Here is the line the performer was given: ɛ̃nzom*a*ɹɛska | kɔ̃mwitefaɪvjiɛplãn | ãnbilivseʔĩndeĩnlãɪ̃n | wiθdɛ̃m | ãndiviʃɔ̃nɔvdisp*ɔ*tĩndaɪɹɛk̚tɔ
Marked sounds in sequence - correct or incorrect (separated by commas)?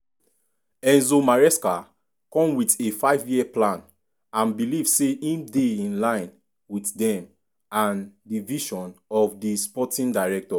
correct, correct